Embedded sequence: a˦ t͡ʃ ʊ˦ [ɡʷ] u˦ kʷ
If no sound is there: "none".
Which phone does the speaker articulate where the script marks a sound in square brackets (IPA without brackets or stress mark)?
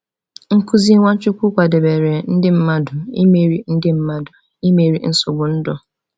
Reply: kʷ